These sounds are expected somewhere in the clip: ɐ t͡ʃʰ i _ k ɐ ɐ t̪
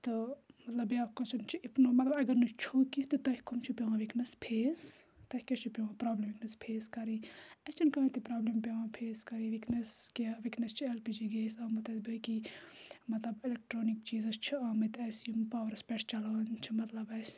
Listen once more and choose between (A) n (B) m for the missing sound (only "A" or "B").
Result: A